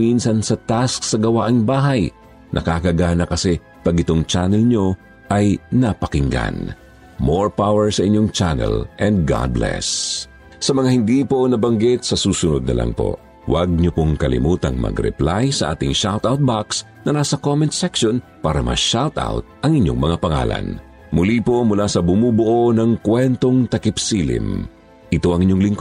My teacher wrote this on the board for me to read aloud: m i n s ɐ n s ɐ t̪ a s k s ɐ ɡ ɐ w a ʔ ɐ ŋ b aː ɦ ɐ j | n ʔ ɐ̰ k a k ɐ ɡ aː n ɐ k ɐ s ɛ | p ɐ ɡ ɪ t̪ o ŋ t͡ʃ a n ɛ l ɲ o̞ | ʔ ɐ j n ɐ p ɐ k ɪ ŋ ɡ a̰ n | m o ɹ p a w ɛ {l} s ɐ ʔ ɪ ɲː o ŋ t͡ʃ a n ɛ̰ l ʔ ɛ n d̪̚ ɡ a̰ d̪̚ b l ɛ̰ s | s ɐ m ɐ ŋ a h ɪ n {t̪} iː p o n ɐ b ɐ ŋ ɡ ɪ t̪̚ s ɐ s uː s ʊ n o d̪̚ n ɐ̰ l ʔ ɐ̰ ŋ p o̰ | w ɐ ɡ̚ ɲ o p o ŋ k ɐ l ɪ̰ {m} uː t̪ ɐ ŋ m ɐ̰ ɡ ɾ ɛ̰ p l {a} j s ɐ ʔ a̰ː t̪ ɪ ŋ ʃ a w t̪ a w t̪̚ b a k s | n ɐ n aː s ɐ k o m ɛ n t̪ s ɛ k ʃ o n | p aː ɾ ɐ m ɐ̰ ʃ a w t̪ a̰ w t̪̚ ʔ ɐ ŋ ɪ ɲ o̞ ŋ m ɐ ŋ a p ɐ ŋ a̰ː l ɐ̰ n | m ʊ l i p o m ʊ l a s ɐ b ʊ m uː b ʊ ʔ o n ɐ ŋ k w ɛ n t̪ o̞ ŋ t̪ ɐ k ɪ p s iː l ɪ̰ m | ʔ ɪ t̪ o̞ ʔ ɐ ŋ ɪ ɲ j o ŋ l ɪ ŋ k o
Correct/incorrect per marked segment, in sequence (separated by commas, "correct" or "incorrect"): incorrect, incorrect, correct, correct